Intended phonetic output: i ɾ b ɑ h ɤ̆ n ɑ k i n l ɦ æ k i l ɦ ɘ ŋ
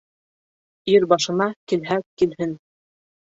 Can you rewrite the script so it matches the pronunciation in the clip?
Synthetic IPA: i ɾ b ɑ ʃ ɤ̆ n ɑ k i l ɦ æ k i l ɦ ɘ n